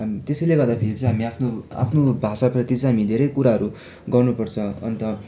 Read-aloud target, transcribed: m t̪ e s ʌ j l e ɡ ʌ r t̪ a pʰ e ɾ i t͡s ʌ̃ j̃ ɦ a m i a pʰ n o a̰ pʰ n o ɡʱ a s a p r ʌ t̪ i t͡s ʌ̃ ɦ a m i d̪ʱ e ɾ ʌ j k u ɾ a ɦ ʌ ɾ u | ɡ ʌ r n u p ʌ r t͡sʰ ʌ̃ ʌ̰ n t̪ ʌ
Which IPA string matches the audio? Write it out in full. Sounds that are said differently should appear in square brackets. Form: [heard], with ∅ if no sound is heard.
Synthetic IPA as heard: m t̪ e s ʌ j l e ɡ ʌ r [d̪] a pʰ e ɾ i t͡s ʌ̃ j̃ ɦ a m i a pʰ n o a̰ pʰ n o [bʱ] a s a p r ʌ t̪ i t͡s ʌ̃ ɦ a m i d̪ʱ e ɾ ʌ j k u ɾ a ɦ ʌ ɾ u | ɡ ʌ r n u p ʌ r t͡sʰ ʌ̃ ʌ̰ n t̪ ʌ

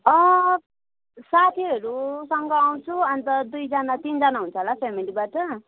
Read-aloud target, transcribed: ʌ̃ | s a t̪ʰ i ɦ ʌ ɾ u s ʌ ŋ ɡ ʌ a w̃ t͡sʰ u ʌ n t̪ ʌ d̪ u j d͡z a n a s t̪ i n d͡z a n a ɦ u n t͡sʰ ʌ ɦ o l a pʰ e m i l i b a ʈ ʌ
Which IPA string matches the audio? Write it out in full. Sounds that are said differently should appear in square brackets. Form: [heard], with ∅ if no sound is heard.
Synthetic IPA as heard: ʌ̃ | s a t̪ʰ i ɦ ʌ ɾ u s ʌ ŋ ɡ ʌ a w̃ t͡sʰ u ʌ n t̪ ʌ d̪ u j d͡z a n a [∅] t̪ i n d͡z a n a ɦ u n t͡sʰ ʌ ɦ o l a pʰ e m i l i b a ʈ ʌ

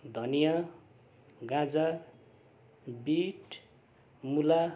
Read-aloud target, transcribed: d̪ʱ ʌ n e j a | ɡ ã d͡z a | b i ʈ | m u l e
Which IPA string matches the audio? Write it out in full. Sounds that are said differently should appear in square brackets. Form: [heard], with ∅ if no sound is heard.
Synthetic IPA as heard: d̪ʱ ʌ n [i] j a | ɡ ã d͡z a | b i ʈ | m u l [a]

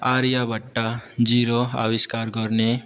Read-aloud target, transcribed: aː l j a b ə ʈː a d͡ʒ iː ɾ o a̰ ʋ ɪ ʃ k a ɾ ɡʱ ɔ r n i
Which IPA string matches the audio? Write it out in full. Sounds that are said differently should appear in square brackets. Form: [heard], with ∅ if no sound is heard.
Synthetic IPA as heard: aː [ɾ] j a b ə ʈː a d͡ʒ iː ɾ o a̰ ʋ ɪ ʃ k a ɾ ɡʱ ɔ [ɾ] n [e]

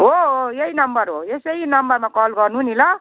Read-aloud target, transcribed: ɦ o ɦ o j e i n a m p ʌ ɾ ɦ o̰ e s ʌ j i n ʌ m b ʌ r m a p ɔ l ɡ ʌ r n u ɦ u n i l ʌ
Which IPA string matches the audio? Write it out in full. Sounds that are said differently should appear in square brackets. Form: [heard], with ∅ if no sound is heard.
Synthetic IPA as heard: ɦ o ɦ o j e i n [ʌ] m [b] ʌ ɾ ɦ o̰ e s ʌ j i n ʌ m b ʌ r m a [k] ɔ l ɡ ʌ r n u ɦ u n i l ʌ

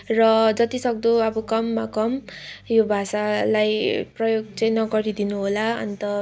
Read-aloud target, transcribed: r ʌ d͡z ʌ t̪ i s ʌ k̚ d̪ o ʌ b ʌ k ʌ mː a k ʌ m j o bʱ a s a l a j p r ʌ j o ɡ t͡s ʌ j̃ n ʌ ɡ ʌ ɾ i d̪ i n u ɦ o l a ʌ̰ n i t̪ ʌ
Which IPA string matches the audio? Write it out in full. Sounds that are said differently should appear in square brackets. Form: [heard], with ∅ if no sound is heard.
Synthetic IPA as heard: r ʌ d͡z ʌ t̪ i s ʌ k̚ d̪ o ʌ b ʌ k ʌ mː a k ʌ m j o bʱ a s a l a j p r ʌ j o ɡ t͡s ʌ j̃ n ʌ ɡ ʌ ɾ i d̪ i n u ɦ o l a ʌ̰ n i t̪ ʌ

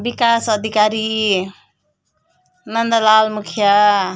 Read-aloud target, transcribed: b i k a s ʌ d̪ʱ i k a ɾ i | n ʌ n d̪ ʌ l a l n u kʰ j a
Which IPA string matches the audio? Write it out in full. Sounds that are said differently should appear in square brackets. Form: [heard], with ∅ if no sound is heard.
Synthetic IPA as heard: b i k a s ʌ d̪ʱ i k a ɾ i | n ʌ n d̪ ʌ l a l [m] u kʰ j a

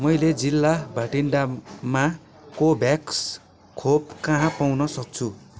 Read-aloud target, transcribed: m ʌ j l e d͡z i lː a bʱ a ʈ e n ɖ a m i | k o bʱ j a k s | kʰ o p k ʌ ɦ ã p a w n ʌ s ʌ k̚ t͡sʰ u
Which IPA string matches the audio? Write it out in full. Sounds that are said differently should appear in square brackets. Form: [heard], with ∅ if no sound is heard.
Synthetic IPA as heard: m ʌ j l e d͡z i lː a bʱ a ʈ [i] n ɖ a m [a] | k o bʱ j a k s | kʰ o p k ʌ ɦ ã p a w n ʌ s ʌ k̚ t͡sʰ u

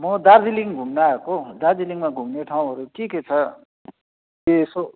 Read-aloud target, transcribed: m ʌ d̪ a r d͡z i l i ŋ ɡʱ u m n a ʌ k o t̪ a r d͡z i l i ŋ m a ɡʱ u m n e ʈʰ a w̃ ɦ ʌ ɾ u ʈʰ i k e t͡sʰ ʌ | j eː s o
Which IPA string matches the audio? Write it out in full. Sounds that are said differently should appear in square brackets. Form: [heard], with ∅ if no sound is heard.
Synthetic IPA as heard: m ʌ d̪ a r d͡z i l i ŋ ɡʱ u m n a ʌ k o [d̪] a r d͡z i l i ŋ m a ɡʱ u m n e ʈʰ a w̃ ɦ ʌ ɾ u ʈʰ i k e t͡sʰ ʌ | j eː s o

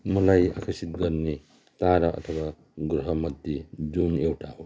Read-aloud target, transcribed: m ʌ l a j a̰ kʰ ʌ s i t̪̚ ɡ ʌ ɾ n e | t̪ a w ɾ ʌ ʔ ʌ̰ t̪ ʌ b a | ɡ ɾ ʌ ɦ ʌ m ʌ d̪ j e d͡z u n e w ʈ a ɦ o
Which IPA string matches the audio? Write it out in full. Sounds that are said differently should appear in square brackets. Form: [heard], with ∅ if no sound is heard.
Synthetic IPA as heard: m ʌ l a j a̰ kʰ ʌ s i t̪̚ ɡ ʌ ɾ n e | t̪ a [∅] ɾ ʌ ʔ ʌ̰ [t̪ʰ] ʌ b a | ɡ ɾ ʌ ɦ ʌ m ʌ d̪ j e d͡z u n e w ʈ a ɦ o

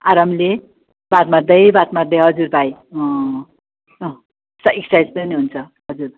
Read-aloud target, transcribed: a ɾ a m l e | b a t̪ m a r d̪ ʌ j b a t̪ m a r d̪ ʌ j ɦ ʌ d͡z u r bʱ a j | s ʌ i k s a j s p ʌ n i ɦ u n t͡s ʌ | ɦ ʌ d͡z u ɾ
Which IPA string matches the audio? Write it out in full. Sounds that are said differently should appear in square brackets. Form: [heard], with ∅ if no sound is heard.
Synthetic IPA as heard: a ɾ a m l e | b a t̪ m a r d̪ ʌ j b a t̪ m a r d̪ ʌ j ɦ ʌ d͡z u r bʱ a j | s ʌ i k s a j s p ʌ n i ɦ u n [t͡sʰ] ʌ | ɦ ʌ d͡z u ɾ

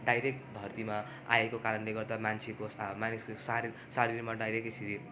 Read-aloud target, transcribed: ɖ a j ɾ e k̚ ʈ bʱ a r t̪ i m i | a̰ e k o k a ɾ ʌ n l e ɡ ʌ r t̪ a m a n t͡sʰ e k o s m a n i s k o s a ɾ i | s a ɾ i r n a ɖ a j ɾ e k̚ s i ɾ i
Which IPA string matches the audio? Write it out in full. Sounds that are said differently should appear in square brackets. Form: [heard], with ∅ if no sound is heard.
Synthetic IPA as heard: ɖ a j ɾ e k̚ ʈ bʱ [ʌ] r t̪ i m [a] | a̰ e k o k a ɾ ʌ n l e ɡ ʌ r [d̪] a m a n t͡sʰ e k o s m a n i s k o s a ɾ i | s a ɾ i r [m] a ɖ a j ɾ e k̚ s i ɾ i

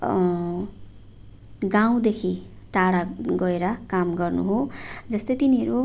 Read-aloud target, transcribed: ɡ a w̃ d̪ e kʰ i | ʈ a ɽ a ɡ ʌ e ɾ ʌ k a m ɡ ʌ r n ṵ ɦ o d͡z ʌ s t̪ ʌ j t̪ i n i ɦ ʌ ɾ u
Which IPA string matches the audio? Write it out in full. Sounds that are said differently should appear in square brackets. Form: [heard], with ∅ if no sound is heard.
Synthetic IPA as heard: ɡ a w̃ d̪ e kʰ i | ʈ a ɽ a ɡ ʌ e ɾ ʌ k a m ɡ ʌ r n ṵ ɦ o d͡z ʌ s t̪ ʌ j t̪ i n i ɦ ʌ ɾ u

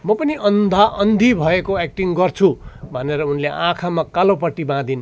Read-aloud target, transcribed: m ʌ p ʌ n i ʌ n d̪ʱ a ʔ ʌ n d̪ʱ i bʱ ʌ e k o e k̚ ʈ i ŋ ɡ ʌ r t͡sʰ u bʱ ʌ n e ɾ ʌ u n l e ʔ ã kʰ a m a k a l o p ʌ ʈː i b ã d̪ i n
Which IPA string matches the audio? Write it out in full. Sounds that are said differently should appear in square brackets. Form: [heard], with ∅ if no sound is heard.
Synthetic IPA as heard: m ʌ p ʌ n i ʌ n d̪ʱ a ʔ ʌ n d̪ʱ i bʱ ʌ e k o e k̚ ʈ i ŋ ɡ ʌ r t͡sʰ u bʱ ʌ n e ɾ ʌ u n l e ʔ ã kʰ a m a k a l o p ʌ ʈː i b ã d̪ i n

